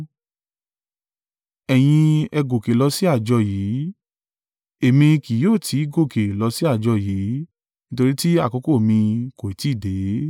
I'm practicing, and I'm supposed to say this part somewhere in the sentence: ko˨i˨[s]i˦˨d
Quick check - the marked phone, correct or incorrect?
incorrect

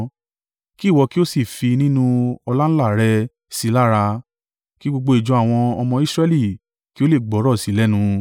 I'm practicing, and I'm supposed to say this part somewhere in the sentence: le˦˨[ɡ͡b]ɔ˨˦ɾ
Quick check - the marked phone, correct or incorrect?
correct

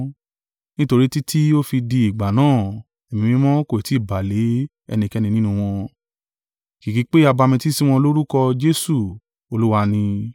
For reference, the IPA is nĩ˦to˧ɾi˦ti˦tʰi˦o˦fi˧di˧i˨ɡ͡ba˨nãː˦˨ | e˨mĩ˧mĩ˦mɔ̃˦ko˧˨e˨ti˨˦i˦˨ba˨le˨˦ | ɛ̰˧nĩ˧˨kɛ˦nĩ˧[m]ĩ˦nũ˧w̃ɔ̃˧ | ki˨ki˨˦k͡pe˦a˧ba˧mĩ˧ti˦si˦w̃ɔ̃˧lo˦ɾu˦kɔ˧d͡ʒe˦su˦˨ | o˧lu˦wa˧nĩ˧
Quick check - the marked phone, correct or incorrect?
incorrect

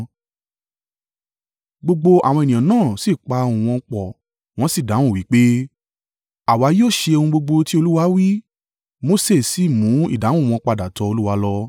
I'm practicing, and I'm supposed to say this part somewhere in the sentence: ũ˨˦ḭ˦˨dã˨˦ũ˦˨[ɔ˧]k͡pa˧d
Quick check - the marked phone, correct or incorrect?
incorrect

